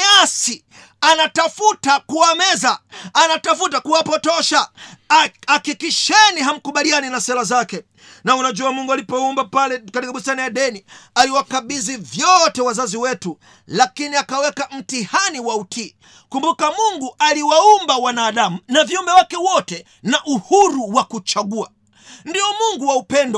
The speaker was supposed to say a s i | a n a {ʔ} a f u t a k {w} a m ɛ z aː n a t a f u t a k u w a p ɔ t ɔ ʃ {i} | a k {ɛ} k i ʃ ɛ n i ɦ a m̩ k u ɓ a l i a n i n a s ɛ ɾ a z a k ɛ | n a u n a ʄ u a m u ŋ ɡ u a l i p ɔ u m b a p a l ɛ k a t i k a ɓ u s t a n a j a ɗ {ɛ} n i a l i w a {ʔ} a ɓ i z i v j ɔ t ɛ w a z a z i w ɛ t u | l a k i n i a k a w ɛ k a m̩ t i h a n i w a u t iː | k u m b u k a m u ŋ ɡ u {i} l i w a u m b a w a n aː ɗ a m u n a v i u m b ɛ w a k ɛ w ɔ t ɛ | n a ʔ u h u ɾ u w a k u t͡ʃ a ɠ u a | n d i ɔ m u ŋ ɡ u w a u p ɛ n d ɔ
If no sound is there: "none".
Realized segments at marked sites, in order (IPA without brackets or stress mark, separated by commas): t, u, a, i, ɛ, k, a